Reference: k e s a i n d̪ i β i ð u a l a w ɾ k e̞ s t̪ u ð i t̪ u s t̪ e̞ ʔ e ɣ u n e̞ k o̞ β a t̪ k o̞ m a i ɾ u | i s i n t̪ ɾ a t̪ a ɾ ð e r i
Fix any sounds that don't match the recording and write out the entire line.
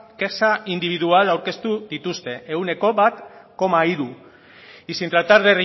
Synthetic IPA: k e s a i n d̪ i β i ð u a l a w ɾ k e̞ s t̪ u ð i t̪ u s t̪ e̞ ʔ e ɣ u n e̞ k o̞ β a t̪ k o̞ m a i ɾ u | i s i n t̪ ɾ a t̪ a ɾ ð e r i